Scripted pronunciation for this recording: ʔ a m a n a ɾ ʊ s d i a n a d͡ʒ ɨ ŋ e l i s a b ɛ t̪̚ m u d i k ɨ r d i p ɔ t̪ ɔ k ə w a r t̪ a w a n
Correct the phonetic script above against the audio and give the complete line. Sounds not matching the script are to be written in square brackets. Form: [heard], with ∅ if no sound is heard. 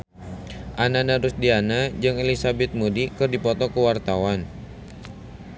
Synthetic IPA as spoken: ʔ a [n] a n a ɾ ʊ s d i a n a d͡ʒ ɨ ŋ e l i s a b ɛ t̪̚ m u d i k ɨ r d i p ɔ t̪ ɔ k ə w a r t̪ a w a n